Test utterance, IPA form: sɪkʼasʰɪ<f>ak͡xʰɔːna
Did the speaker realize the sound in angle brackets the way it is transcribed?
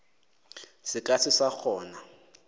no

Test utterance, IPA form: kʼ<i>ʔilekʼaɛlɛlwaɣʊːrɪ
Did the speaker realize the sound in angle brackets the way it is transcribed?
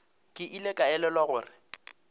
no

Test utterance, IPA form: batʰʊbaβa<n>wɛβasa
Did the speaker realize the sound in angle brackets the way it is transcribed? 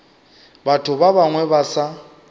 no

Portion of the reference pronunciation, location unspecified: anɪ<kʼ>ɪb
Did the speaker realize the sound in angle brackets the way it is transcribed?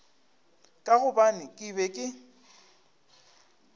yes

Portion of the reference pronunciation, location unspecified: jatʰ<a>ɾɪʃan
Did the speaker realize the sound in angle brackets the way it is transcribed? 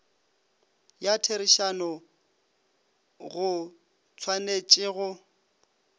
no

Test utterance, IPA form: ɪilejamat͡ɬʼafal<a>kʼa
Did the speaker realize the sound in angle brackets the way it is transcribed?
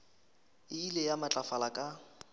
yes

